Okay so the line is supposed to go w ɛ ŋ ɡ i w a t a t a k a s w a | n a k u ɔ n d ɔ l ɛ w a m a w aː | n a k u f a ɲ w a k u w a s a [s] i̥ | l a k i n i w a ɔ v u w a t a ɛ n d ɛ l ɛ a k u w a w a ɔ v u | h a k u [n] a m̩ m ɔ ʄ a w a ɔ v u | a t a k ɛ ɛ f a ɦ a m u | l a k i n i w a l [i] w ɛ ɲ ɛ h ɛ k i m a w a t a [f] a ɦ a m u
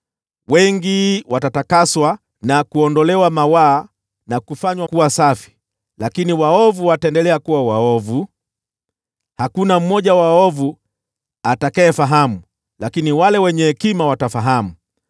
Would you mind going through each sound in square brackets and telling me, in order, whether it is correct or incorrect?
incorrect, correct, incorrect, correct

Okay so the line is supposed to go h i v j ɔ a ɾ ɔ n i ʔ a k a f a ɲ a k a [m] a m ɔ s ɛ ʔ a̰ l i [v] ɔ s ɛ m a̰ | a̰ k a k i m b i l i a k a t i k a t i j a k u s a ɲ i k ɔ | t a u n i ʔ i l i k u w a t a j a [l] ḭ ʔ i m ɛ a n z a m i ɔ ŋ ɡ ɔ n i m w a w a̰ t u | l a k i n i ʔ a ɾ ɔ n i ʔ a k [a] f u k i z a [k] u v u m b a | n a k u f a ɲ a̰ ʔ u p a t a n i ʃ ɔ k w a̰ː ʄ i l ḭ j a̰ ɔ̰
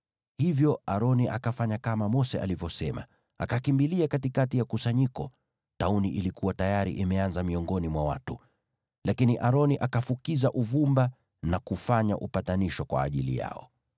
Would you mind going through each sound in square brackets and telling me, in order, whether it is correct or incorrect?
correct, correct, incorrect, correct, incorrect

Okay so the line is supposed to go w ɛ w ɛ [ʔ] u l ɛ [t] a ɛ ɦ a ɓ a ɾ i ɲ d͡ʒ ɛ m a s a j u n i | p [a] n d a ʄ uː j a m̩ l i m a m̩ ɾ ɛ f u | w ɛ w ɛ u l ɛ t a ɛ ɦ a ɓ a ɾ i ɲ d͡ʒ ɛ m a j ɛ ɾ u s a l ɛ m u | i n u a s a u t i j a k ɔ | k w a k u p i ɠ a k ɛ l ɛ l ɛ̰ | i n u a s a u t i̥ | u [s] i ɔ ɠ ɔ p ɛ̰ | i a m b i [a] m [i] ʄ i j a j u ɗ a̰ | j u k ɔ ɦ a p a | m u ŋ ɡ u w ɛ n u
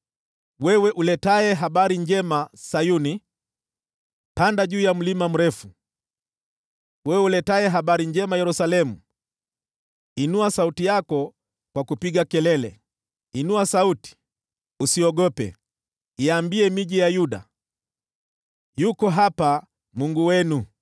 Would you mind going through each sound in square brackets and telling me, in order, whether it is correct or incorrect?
correct, correct, correct, correct, incorrect, correct

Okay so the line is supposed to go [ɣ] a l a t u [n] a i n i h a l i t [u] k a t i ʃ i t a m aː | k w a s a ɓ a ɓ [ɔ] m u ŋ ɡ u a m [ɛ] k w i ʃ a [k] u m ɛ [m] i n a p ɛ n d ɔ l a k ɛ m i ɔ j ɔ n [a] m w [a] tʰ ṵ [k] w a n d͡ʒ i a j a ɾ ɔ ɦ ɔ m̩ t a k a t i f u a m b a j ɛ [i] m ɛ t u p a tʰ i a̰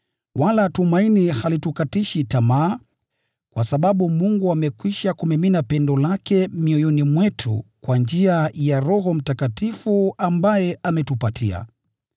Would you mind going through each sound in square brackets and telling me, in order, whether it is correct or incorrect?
incorrect, incorrect, correct, incorrect, correct, correct, correct, incorrect, incorrect, correct, incorrect

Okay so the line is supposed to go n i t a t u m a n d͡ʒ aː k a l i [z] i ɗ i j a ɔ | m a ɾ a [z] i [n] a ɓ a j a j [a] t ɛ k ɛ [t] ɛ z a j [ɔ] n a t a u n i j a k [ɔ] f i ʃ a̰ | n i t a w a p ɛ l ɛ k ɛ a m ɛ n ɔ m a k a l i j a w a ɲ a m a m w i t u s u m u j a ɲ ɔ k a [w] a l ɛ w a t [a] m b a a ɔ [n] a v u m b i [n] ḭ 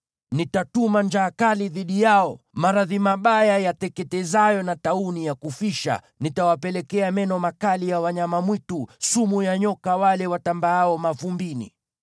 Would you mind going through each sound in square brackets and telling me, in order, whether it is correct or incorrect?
incorrect, incorrect, incorrect, correct, correct, correct, incorrect, correct, correct, incorrect, correct

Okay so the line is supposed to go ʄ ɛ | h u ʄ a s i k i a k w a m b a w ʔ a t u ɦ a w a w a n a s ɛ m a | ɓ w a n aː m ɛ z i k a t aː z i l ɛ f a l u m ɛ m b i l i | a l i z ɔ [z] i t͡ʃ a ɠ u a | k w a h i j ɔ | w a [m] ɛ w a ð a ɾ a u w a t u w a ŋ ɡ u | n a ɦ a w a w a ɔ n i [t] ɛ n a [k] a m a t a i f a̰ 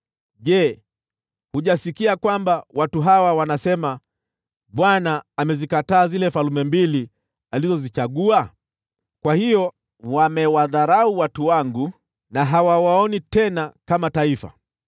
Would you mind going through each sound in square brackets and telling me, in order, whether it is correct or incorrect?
correct, correct, correct, correct

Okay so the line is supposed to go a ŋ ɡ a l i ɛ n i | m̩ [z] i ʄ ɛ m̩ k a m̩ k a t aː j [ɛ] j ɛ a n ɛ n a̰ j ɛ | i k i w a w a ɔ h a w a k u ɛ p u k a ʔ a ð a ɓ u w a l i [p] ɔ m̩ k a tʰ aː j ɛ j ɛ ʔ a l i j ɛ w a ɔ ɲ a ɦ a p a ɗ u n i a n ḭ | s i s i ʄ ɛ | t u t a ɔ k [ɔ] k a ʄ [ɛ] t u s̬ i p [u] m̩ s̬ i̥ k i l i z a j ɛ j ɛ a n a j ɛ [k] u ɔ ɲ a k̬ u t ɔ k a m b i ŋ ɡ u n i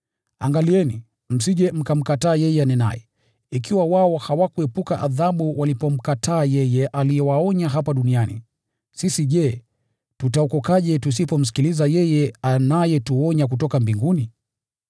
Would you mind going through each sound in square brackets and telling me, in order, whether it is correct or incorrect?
incorrect, correct, correct, correct, correct, incorrect, incorrect

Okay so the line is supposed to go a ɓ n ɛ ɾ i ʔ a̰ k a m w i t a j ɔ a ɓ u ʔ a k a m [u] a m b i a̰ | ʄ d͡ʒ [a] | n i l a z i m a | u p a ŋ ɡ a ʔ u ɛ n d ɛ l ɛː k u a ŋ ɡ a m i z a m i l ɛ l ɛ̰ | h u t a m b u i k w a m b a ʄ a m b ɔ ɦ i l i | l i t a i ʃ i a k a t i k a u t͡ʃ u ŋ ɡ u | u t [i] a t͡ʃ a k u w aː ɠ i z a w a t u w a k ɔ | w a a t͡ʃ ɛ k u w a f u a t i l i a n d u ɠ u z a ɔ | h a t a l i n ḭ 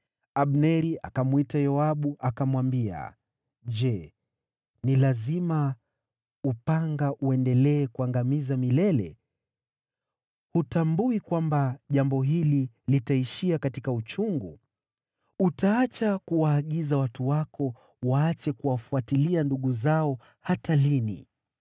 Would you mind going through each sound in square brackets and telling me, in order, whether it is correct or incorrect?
incorrect, incorrect, incorrect

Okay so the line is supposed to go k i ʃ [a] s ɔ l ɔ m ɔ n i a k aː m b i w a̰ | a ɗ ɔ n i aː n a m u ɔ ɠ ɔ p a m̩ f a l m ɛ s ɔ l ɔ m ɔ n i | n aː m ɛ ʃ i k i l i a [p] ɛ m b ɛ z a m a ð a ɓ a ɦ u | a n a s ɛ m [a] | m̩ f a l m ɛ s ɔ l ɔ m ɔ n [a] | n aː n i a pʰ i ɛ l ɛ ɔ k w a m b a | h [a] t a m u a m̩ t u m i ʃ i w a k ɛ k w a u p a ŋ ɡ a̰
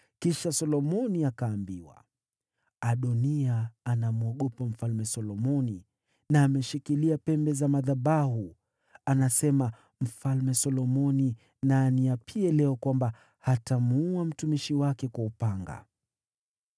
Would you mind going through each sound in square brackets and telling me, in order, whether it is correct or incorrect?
correct, correct, correct, incorrect, correct

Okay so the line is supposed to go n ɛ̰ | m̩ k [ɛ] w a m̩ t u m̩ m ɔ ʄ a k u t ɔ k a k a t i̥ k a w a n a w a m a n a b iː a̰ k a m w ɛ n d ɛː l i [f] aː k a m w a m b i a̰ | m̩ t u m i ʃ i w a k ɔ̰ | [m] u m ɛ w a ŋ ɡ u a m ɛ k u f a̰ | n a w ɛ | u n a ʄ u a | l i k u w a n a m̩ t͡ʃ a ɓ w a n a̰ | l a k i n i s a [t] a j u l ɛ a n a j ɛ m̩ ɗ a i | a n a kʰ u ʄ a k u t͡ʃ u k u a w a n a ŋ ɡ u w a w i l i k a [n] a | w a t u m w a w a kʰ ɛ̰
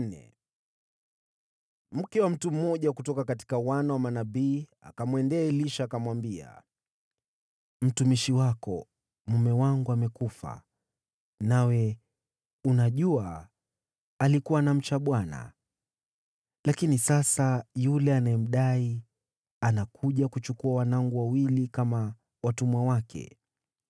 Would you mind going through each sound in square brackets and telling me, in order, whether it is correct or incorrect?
correct, incorrect, correct, incorrect, incorrect

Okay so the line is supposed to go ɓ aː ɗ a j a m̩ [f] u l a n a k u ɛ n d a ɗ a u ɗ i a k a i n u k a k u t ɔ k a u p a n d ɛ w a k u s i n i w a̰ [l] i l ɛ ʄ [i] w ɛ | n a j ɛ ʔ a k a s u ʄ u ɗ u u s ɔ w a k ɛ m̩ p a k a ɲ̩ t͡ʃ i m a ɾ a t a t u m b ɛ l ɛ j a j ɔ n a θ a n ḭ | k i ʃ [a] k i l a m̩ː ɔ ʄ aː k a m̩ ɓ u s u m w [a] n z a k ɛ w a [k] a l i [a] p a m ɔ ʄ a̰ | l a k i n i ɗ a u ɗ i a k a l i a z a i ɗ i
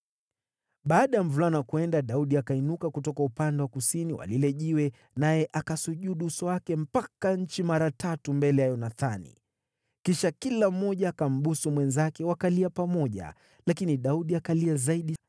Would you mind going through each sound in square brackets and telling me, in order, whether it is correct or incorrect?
incorrect, correct, correct, correct, incorrect, correct, correct

